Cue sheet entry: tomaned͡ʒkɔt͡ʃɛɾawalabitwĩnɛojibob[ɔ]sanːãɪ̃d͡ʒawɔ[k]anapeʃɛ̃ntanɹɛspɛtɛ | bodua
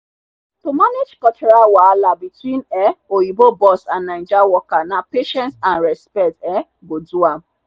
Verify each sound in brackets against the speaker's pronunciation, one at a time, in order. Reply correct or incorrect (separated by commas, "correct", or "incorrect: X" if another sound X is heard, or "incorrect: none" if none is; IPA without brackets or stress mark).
correct, correct